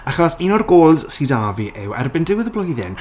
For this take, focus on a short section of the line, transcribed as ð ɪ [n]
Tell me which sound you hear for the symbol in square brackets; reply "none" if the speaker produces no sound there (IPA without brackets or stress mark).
n